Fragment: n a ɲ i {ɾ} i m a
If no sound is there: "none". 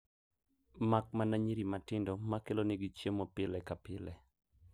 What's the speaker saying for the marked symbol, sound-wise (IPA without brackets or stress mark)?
ɾ